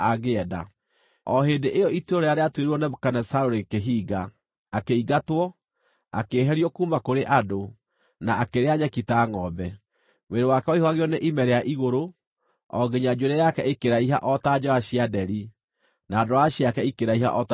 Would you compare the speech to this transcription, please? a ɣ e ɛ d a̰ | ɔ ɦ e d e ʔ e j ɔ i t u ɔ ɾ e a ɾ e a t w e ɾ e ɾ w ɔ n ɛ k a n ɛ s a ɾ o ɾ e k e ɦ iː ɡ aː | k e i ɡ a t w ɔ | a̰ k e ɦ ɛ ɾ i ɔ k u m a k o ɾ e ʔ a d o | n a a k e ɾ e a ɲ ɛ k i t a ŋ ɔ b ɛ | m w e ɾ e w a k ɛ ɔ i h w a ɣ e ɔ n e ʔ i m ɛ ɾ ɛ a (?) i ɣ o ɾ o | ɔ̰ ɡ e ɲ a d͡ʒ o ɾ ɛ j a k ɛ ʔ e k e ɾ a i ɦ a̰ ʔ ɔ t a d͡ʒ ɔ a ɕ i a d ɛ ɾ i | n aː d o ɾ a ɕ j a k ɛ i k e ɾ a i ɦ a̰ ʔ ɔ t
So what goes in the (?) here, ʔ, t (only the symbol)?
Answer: ʔ